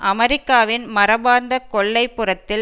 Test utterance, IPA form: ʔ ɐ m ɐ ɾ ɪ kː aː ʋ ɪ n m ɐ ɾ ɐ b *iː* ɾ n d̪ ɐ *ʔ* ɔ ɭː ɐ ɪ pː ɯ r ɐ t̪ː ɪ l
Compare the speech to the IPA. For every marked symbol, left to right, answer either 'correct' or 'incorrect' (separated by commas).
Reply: incorrect, incorrect